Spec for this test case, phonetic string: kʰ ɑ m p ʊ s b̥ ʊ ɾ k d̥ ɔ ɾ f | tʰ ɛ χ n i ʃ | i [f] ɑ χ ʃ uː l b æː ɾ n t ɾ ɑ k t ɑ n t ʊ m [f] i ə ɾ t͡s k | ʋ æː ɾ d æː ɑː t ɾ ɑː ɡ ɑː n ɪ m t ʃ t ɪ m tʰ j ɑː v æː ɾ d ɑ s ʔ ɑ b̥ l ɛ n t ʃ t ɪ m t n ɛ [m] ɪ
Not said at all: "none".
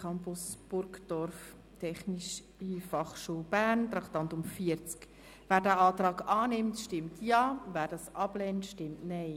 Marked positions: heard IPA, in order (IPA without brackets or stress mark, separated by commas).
f, f, none